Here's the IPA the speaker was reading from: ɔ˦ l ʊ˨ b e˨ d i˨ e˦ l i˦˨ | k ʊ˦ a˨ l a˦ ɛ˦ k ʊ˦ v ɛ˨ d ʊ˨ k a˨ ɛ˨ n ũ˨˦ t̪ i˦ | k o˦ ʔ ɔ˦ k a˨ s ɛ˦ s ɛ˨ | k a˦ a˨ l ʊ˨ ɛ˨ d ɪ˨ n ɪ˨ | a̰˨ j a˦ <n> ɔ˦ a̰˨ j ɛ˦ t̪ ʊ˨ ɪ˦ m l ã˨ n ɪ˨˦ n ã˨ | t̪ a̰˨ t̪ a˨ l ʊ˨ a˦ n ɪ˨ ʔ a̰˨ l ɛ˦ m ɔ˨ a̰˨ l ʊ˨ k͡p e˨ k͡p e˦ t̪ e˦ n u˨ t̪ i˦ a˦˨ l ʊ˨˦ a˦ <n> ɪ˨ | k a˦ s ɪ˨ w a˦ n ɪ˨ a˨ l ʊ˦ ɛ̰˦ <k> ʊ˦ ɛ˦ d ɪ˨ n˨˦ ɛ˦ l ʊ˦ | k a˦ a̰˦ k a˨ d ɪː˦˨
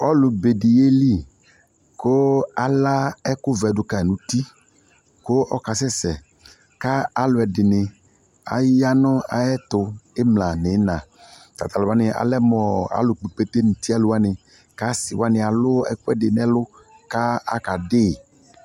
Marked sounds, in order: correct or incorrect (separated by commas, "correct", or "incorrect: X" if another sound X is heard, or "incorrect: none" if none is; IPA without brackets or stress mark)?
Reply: correct, correct, correct